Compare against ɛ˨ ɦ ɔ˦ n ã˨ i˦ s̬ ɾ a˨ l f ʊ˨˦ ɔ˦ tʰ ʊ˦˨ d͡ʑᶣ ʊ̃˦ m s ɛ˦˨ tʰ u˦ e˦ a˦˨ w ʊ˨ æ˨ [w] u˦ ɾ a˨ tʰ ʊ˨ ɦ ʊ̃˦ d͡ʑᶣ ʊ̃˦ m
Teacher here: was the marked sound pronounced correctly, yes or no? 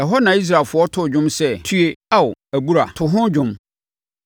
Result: no